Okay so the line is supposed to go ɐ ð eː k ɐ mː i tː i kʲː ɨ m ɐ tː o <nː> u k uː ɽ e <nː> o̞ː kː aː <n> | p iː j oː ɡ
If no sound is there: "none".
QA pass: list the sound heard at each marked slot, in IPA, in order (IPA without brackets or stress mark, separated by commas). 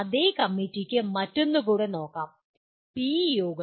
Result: nː, n, m